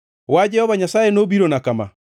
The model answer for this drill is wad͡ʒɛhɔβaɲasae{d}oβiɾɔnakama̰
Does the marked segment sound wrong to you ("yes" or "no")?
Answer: yes